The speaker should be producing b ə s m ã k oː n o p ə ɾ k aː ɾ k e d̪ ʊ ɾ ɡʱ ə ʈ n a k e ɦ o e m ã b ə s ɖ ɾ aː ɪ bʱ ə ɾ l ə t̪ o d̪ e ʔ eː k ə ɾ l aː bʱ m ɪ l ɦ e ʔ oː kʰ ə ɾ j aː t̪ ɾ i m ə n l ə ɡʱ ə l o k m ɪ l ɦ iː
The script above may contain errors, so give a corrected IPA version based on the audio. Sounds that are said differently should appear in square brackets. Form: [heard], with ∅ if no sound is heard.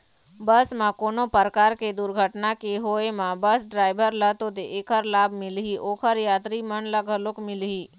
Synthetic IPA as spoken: b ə s m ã k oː n o p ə ɾ k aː ɾ k e d̪ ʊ ɾ ɡʱ ə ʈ n a k e ɦ o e m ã b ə s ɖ ɾ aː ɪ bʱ ə ɾ l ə t̪ o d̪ e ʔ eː k ə ɾ l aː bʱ m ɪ l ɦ [i] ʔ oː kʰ ə ɾ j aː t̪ ɾ i m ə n l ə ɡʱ ə l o k m ɪ l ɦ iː